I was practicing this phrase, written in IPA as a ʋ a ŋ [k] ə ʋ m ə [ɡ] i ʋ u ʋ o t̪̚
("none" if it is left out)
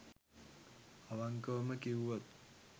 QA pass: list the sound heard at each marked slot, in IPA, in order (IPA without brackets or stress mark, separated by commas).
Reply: k, k